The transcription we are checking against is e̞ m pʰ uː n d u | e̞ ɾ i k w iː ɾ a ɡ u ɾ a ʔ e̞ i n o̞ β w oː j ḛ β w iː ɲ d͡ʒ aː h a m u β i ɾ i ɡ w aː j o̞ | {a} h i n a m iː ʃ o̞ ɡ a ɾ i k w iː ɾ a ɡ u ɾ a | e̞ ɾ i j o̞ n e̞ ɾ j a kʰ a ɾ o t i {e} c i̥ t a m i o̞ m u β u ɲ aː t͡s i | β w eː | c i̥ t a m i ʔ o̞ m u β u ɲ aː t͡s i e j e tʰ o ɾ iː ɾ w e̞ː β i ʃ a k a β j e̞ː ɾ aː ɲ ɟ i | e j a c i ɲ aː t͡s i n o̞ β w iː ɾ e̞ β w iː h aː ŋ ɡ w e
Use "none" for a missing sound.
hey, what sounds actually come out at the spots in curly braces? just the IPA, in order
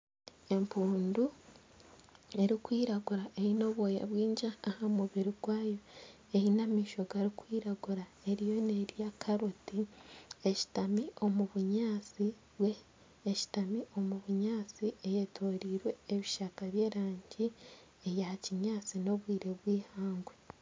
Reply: e, e

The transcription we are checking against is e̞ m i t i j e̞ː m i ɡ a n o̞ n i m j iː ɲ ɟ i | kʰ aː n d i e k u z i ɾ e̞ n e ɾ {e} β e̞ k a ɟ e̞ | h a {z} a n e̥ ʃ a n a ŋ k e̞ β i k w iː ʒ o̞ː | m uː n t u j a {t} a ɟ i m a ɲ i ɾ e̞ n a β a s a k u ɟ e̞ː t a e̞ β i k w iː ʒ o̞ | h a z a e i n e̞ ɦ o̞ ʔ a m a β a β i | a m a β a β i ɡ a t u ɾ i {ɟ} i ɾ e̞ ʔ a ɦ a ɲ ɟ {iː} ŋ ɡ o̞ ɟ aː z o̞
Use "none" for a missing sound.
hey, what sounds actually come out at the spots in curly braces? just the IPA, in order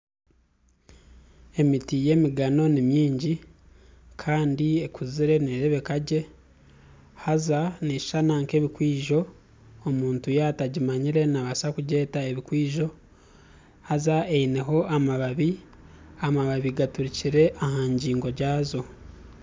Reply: e, z, t, c, iː

